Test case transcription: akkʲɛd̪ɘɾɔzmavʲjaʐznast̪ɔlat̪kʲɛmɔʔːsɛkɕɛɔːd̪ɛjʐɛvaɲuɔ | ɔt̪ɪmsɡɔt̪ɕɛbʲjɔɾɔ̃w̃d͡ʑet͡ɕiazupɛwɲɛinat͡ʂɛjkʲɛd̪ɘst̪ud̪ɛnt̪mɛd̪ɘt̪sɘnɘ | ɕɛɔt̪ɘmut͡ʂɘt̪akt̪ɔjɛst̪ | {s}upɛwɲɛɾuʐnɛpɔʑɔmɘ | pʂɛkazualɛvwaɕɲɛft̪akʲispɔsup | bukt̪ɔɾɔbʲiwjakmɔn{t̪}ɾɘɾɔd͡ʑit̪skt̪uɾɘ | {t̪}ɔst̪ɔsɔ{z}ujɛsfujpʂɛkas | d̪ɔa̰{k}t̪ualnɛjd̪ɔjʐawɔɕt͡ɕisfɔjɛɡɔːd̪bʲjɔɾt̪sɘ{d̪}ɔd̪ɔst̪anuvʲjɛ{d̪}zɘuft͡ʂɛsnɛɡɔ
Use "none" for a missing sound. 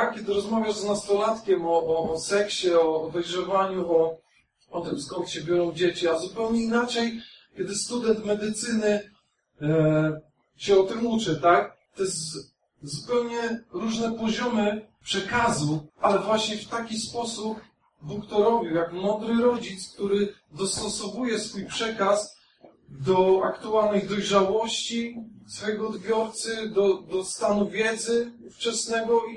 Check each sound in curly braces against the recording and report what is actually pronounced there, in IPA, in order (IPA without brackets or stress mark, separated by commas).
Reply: z, d̪, d̪, v, k, d̪, d̪